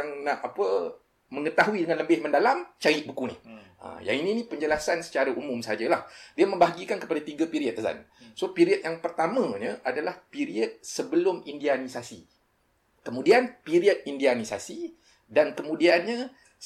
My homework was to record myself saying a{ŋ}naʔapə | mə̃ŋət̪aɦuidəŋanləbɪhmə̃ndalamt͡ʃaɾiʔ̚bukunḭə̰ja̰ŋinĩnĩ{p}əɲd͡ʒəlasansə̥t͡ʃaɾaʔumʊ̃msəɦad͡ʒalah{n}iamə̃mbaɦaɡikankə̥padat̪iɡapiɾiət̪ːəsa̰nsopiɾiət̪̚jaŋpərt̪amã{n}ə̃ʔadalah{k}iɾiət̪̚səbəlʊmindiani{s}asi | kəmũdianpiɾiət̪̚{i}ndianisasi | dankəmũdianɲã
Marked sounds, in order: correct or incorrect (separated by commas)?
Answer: correct, correct, incorrect, incorrect, incorrect, correct, correct